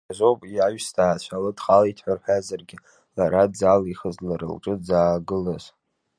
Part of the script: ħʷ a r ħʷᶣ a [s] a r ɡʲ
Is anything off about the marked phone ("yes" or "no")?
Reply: yes